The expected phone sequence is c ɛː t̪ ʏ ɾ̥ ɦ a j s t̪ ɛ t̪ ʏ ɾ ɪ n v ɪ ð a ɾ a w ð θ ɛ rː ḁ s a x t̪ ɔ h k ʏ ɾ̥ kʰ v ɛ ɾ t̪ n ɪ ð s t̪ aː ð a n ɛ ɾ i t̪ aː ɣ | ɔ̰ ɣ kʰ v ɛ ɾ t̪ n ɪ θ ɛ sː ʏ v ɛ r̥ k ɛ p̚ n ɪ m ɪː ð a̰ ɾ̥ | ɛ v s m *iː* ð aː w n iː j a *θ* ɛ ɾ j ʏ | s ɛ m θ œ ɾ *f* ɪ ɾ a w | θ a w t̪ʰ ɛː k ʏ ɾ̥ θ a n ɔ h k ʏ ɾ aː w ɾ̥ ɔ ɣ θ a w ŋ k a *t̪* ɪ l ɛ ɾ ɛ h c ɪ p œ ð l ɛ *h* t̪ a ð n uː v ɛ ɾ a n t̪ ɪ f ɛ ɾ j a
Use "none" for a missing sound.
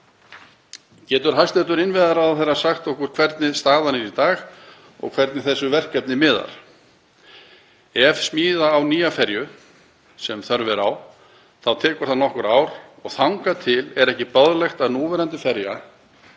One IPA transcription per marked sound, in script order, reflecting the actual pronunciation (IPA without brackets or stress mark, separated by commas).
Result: iː, f, v, t̪ʰ, x